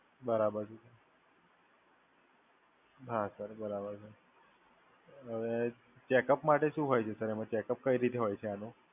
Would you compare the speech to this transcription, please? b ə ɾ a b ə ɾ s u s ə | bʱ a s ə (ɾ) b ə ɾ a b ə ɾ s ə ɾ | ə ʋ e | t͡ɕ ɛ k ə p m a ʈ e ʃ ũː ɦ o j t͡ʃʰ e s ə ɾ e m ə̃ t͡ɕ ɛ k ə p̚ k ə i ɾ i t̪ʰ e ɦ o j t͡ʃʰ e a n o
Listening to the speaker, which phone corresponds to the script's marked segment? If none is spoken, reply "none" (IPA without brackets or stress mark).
ɾ